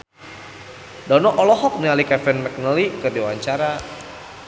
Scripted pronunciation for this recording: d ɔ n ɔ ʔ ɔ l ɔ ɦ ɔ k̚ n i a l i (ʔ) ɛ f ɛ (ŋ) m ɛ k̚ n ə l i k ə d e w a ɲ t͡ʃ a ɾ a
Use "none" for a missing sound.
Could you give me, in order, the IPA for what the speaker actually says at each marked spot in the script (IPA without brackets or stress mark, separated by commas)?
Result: k, n